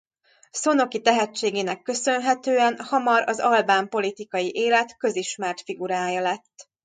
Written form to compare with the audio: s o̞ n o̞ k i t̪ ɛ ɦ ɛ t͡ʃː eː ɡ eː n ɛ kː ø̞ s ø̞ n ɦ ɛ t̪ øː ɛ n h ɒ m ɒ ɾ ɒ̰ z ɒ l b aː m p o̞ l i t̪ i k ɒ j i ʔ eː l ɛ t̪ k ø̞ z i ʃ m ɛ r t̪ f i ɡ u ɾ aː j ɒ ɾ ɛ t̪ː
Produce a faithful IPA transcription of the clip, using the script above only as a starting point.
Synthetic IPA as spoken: s o̞ n o̞ k i t̪ ɛ ɦ ɛ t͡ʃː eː ɡ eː n ɛ kː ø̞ s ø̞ n ɦ ɛ t̪ øː ɛ n h ɒ m ɒ ɾ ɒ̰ z ɒ l b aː m p o̞ l i t̪ i k ɒ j i ʔ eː l ɛ t̪ k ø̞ z i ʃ m ɛ r t̪ f i ɡ u ɾ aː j ɒ l ɛ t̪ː

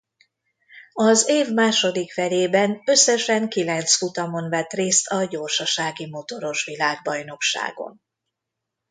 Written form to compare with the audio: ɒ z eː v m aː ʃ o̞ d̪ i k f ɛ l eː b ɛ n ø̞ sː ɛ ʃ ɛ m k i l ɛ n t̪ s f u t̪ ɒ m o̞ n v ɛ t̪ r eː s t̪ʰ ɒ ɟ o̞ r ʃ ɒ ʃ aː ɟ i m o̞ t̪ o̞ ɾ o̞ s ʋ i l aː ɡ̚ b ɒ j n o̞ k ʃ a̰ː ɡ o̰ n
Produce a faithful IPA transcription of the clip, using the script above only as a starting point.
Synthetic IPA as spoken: ɒ z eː v m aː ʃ o̞ d̪ i k f ɛ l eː b ɛ n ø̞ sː ɛ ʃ ɛ ŋ k i l ɛ n t̪ s f u t̪ ɒ m o̞ n v ɛ t̪ r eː s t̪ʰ ɒ ɟ o̞ r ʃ ɒ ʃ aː ɡ i m o̞ t̪ o̞ ɾ o̞ ʃ ʋ i l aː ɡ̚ b ɒ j n o̞ k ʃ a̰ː ɡ o̰ n

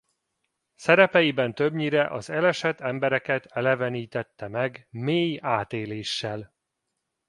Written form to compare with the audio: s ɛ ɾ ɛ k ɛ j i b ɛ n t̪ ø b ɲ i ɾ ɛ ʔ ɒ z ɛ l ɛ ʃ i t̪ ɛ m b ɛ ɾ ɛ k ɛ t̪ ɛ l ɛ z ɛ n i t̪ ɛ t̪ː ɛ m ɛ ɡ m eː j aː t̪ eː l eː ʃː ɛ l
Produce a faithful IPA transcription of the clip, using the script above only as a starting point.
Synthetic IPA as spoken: s ɛ ɾ ɛ p ɛ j i b ɛ n t̪ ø b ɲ i ɾ ɛ ʔ ɒ z ɛ l ɛ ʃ ɛ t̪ ɛ m b ɛ ɾ ɛ k ɛ t̪ ɛ l ɛ v ɛ n iː t̪ ɛ t̪ː ɛ m ɛ ɡ m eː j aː t̪ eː l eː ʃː ɛ l

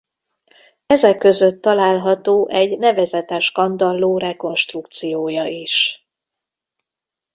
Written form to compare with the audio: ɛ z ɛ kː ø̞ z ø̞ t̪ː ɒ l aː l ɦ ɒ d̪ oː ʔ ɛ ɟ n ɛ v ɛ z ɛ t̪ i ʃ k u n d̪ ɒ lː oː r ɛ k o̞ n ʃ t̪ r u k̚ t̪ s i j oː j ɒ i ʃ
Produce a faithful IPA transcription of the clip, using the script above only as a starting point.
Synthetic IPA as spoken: ɛ z ɛ kː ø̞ z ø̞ t̪ː ɒ l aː l ɦ ɒ t̪ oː ʔ ɛ ɟ n ɛ v ɛ z ɛ t̪ ɛ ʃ k ɒ n d̪ ɒ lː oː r ɛ k o̞ n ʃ t̪ r u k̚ t̪ s i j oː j ɒ i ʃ

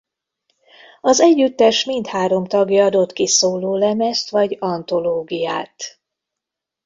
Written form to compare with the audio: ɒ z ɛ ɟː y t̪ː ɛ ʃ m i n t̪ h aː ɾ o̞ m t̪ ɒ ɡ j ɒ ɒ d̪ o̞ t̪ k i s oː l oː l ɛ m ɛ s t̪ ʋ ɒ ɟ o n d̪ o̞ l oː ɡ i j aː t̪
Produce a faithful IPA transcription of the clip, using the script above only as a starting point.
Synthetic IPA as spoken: ɒ z ɛ ɟː y t̪ː ɛ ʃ m i n t̪ h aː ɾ o̞ m t̪ ɒ ɡ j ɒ ɒ d̪ o̞ t̪ k i s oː l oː l ɛ m ɛ s t̪ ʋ ɒ ɟ ɒ n t̪ o̞ l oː ɡ i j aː t̪

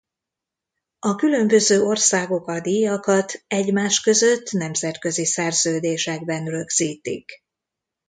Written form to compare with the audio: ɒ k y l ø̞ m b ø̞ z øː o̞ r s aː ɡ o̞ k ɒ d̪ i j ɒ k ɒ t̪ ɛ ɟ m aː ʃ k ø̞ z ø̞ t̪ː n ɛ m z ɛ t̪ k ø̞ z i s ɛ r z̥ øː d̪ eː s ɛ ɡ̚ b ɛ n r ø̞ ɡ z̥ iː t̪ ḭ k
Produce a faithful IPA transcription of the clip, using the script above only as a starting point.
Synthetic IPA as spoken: ɒ k y l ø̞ m b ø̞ z øː o̞ r s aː ɡ o̞ k ɒ d̪ i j ɒ k ɒ t̪ ɛ ɟ m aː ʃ k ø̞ z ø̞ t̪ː n ɛ m z ɛ t̪ k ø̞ z i s ɛ r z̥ øː d̪ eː ʃ ɛ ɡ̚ b ɛ n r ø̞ ɡ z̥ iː t̪ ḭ k

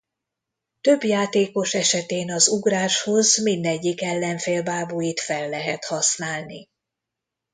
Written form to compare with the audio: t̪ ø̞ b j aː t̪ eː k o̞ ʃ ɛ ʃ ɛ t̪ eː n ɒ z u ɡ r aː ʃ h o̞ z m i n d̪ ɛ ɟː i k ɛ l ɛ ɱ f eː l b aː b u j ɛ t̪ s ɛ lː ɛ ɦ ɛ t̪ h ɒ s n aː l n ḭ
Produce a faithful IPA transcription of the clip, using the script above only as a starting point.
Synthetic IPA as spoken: t̪ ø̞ b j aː t̪ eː k o̞ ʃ ɛ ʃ ɛ t̪ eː n ɒ z u ɡ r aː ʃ h o̞ z m i n d̪ ɛ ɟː i k ɛ lː ɛ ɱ f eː l b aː b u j i t̪ f ɛ lː ɛ ɦ ɛ t̪ h ɒ s n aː l n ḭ

